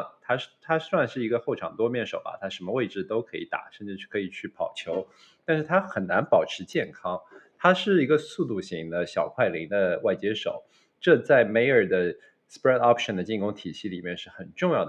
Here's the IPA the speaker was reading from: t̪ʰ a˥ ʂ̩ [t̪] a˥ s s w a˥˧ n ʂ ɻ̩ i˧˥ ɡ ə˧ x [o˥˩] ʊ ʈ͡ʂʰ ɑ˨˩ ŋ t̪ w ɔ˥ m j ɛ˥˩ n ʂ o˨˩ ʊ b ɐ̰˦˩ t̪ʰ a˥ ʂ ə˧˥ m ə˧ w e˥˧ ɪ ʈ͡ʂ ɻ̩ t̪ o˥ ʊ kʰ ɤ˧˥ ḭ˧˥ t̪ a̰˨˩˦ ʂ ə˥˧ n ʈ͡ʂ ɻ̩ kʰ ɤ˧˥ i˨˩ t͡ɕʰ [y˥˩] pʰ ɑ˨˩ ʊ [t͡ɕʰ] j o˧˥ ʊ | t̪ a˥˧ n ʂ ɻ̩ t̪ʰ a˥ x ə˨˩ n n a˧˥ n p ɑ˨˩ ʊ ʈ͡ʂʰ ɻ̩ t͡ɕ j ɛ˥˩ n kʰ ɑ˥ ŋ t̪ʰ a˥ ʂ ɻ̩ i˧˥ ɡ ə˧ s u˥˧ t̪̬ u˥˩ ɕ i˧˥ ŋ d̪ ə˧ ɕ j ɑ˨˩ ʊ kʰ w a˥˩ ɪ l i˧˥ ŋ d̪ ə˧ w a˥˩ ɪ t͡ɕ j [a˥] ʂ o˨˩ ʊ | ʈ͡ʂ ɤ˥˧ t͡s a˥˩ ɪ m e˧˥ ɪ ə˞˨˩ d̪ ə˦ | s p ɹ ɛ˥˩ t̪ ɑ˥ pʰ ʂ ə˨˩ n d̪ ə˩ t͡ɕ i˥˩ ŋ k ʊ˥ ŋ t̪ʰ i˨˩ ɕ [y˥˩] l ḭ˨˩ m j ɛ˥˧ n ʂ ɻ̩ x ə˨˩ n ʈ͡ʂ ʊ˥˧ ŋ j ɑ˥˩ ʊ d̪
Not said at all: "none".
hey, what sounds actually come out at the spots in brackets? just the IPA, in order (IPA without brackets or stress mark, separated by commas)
t̪ʰ, o˥˩, y˥˩, t͡ɕʰ, ɛ˥, i˥˩